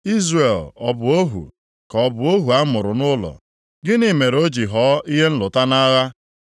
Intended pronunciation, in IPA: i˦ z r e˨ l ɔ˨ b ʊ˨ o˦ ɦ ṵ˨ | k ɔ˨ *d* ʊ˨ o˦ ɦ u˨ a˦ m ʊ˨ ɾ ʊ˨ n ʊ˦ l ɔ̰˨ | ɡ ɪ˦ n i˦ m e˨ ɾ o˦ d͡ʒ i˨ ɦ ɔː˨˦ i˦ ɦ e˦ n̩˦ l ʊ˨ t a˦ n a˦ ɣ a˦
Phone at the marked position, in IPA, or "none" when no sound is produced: b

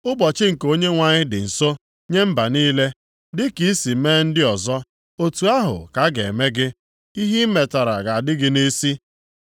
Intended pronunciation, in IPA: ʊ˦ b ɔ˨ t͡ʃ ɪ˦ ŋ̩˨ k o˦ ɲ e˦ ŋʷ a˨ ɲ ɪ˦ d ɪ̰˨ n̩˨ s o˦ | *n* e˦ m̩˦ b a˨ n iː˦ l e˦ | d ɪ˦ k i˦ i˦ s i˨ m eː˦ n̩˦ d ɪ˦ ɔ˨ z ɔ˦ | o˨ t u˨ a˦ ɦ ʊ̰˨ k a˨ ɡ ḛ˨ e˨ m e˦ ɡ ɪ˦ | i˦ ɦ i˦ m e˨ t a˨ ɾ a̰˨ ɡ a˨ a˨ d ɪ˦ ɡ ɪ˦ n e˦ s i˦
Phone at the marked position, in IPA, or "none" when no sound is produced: ɲ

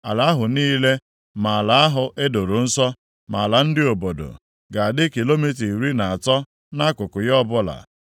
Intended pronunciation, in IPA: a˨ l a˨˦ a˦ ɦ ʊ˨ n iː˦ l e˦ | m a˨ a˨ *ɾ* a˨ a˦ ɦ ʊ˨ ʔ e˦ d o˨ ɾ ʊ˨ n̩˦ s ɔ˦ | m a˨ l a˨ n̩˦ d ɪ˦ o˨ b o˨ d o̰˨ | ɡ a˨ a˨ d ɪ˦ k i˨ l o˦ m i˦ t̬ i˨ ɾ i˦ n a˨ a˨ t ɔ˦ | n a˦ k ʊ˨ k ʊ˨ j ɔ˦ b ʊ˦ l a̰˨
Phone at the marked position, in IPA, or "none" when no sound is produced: l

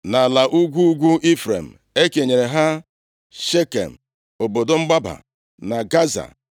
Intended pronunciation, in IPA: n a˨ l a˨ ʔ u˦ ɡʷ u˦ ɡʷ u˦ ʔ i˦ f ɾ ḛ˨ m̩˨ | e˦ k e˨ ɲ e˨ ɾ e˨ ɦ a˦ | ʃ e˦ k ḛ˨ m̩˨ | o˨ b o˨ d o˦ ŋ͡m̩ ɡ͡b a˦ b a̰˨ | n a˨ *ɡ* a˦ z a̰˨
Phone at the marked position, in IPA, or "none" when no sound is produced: ɡ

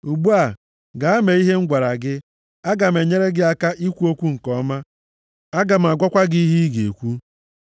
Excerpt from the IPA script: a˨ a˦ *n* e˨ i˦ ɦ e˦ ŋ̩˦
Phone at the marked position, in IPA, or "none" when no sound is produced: m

